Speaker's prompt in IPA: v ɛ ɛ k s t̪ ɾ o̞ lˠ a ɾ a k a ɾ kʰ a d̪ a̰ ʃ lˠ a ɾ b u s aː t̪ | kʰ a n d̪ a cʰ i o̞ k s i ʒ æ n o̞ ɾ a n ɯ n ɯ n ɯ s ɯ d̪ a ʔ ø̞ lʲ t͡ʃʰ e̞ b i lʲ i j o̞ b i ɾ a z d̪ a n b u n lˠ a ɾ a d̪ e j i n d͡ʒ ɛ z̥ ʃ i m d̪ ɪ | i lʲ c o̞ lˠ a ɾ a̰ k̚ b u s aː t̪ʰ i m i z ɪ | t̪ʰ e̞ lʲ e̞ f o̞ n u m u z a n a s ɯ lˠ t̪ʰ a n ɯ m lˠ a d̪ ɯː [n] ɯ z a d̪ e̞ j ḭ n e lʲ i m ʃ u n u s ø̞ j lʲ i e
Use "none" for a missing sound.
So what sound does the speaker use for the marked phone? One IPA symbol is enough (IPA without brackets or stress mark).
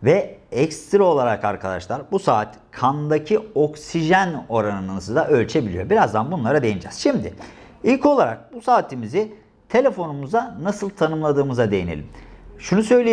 m